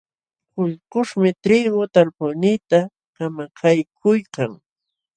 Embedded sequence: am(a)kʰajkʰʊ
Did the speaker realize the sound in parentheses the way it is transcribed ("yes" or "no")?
yes